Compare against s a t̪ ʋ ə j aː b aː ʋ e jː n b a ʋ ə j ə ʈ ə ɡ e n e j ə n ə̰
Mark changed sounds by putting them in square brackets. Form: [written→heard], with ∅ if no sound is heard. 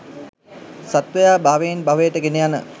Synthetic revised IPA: s a t̪ ʋ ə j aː b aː ʋ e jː n b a ʋ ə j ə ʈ ə ɡ e n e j [ə→a] n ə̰